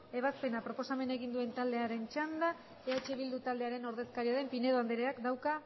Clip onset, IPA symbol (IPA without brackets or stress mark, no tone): e̞